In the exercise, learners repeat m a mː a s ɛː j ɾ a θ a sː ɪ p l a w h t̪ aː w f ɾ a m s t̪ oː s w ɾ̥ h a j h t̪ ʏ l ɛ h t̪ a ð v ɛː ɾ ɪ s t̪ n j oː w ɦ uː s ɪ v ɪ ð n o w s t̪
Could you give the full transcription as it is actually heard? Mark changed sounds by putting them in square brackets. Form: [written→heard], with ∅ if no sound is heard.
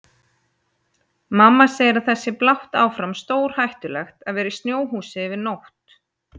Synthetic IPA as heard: m a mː a s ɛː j ɾ a θ [a→ɛ] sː ɪ p l a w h t̪ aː w f ɾ a m s t̪ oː [s→∅] w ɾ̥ h a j h t̪ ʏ l ɛ [h→x] t̪ a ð v ɛː ɾ ɪ s t̪ n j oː w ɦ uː s ɪ v ɪ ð n o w [s→h] t̪